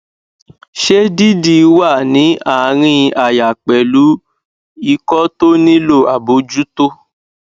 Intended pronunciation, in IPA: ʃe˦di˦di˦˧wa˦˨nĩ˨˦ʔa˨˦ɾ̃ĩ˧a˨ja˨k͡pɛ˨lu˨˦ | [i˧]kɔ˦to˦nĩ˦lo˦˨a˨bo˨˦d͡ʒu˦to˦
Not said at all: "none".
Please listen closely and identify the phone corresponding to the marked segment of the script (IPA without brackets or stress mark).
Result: i˧